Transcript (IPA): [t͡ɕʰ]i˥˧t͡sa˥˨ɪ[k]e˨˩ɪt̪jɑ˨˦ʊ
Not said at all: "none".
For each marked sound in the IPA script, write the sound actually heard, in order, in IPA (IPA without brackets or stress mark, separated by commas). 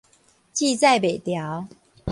t͡ɕ, p